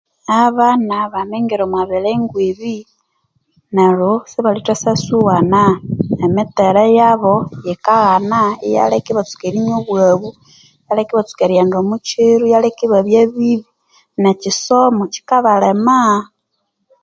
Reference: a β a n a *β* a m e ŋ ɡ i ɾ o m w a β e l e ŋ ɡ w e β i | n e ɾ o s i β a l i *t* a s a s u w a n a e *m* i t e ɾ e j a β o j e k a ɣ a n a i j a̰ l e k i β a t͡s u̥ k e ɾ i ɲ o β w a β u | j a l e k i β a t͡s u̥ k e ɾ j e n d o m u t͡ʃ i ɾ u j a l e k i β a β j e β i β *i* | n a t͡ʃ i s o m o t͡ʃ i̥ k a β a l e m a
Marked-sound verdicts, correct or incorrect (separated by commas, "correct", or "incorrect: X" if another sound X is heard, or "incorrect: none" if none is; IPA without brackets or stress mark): correct, correct, correct, correct